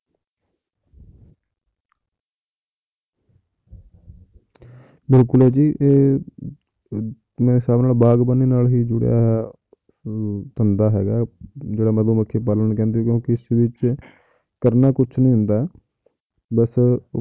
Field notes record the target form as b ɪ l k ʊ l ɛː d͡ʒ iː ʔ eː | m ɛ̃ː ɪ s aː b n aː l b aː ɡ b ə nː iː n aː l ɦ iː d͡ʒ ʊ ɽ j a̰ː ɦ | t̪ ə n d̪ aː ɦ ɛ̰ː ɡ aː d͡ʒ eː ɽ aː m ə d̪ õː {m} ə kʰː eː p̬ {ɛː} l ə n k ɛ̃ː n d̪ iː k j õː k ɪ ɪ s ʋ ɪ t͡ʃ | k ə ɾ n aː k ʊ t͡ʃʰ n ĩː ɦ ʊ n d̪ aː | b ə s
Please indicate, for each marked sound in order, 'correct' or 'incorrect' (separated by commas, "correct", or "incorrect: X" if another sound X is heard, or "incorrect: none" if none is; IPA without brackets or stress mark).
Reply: correct, incorrect: aː